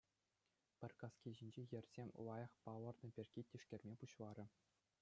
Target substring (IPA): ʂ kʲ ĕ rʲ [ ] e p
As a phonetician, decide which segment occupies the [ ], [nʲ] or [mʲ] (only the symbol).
mʲ